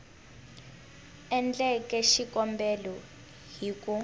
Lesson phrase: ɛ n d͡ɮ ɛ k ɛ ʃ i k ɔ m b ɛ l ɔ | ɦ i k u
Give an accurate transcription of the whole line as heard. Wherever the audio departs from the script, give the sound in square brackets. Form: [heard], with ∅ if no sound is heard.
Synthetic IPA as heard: ɛ n d͡ɮ ɛ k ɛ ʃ i k ɔ m b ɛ l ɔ | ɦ i k u